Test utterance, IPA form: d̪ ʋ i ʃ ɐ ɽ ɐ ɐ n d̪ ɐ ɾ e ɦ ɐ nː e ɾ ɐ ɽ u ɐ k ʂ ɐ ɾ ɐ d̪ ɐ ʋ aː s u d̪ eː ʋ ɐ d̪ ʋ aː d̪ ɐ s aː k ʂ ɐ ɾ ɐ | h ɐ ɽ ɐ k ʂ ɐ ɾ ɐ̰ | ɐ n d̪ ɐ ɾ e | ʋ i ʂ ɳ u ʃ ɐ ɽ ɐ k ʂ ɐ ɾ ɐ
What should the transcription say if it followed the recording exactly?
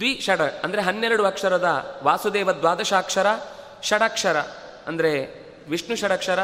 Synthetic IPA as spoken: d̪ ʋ i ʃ ɐ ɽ ɐ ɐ n d̪ ɐ ɾ e ɦ ɐ nː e ɾ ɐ ɽ u ɐ k ʂ ɐ ɾ ɐ d̪ ɐ ʋ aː s u d̪ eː ʋ ɐ d̪ ʋ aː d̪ ɐ ʃ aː k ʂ ɐ ɾ ɐ | ʃ ɐ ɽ ɐ k ʂ ɐ ɾ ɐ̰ | ɐ n d̪ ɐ ɾ e | ʋ i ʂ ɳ u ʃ ɐ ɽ ɐ k ʂ ɐ ɾ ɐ